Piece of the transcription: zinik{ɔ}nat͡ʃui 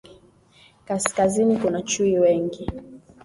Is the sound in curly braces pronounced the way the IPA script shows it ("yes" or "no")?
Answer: no